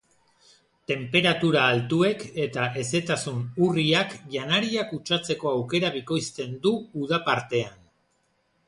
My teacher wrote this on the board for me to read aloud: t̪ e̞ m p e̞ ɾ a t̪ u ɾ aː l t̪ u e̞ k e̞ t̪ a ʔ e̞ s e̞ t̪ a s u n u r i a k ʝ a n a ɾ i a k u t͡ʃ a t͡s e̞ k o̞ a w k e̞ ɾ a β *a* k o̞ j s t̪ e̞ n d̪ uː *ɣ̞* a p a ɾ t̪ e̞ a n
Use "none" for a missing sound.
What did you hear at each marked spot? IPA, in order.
i, ð̞

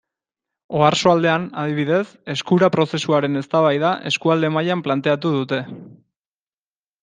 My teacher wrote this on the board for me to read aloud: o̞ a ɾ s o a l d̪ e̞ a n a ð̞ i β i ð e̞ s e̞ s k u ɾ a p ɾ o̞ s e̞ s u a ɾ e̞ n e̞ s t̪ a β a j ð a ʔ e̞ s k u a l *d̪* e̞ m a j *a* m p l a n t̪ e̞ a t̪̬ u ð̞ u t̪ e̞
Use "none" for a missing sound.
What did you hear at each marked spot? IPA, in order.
d̪, a

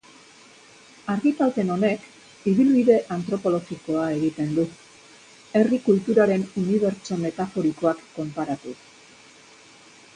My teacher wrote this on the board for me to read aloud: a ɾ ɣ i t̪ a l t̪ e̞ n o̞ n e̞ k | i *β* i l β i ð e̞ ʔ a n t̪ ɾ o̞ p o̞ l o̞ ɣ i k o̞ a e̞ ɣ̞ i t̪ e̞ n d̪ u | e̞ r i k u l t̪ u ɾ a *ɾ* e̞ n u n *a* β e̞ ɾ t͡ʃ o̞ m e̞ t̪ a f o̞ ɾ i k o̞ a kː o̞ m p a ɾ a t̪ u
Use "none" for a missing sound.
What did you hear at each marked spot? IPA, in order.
β, ɾ, i

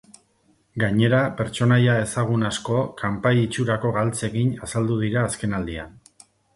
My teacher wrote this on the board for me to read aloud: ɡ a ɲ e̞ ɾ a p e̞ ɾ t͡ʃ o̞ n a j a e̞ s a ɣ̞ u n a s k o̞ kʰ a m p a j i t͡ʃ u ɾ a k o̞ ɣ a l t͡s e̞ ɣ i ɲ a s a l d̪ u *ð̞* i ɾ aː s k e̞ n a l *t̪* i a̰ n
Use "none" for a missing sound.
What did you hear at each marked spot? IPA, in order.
ð̞, d̪

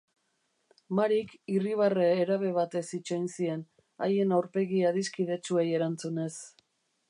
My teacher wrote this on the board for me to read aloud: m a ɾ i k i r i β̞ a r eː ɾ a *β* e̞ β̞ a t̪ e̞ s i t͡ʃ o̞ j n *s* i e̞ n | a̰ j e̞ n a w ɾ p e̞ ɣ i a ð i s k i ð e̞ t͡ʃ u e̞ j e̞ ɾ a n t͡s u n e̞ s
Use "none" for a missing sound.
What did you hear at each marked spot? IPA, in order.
β, s

